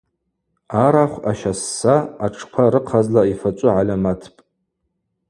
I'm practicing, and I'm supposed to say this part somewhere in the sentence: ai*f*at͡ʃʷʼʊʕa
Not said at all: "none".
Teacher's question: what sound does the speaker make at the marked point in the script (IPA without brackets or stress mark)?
f